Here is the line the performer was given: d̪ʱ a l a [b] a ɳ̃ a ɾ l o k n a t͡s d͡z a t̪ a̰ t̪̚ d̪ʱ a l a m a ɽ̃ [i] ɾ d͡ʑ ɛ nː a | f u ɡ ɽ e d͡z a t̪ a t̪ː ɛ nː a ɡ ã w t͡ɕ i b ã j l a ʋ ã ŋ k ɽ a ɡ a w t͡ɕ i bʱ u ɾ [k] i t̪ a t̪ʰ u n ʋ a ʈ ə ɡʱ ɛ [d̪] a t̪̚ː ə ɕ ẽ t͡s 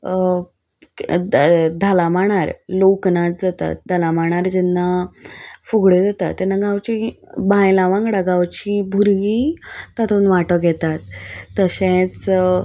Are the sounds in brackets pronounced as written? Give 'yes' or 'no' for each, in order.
no, no, no, no

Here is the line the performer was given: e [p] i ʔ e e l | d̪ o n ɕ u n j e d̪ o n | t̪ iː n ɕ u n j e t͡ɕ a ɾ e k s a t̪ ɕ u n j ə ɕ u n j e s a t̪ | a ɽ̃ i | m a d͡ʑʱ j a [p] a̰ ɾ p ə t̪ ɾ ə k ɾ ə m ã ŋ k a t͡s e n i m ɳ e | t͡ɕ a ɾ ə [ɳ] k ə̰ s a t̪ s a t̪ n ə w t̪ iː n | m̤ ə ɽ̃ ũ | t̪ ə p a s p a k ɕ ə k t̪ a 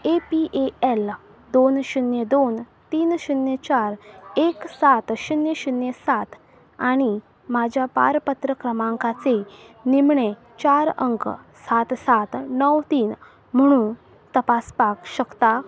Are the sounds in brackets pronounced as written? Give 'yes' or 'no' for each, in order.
yes, yes, no

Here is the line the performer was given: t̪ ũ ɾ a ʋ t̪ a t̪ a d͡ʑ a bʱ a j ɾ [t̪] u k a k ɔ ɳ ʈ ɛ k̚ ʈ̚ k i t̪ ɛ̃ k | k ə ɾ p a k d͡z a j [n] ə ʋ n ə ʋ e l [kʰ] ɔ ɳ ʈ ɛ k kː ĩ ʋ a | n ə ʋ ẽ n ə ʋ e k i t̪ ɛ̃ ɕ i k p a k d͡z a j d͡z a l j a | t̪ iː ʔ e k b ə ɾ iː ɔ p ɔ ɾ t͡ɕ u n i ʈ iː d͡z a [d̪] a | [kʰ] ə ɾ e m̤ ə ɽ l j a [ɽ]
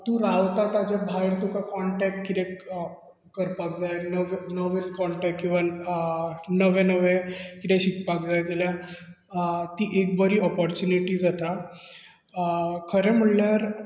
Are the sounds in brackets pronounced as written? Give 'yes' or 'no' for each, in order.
yes, yes, no, no, yes, no

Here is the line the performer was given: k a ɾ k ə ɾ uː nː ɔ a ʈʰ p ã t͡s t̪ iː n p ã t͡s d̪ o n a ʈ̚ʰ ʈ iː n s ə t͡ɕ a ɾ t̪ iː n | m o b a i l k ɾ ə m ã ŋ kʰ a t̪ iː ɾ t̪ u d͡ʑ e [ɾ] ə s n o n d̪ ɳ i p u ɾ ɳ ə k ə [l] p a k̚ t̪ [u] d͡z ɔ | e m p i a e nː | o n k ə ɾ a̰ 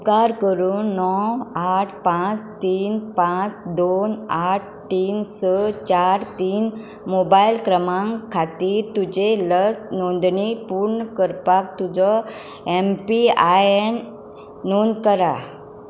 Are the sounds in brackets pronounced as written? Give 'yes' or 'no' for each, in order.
no, no, yes

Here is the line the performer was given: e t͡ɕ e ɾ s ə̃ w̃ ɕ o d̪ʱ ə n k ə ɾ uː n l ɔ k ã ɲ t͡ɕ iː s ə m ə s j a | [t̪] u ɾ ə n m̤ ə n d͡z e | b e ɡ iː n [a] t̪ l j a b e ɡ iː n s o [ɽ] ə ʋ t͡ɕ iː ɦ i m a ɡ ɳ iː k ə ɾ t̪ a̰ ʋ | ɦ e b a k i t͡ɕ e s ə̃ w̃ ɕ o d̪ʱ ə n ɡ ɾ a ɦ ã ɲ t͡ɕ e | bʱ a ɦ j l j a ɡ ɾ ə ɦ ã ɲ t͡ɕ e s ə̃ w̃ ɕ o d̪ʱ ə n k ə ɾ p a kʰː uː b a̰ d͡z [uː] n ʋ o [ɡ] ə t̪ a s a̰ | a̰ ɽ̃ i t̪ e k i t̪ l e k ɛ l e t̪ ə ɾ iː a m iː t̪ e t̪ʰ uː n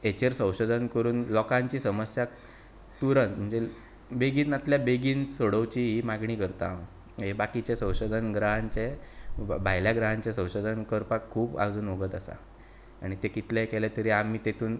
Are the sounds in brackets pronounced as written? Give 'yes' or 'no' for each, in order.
yes, yes, yes, yes, yes

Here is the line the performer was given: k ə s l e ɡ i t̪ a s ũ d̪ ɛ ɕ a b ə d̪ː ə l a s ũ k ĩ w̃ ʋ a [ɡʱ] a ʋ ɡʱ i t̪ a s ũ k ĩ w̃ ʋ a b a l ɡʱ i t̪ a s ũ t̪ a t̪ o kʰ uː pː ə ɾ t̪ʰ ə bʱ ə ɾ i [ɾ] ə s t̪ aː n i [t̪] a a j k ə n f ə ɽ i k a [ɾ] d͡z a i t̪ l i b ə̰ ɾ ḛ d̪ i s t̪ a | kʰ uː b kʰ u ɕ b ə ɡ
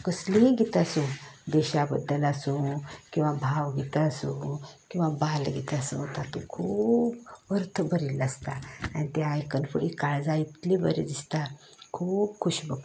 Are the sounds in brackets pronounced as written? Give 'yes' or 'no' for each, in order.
no, no, yes, no

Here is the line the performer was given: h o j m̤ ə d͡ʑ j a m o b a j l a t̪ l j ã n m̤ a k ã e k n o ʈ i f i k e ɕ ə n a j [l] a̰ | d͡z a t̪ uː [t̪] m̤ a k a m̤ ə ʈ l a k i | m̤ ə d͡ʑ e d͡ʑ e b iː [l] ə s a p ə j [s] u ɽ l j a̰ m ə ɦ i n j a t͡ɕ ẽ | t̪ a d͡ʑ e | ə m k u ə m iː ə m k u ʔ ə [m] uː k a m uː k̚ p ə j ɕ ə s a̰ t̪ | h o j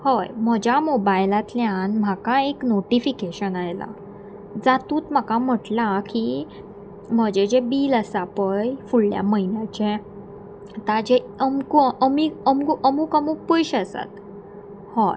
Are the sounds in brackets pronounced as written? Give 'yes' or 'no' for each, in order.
yes, yes, yes, no, yes

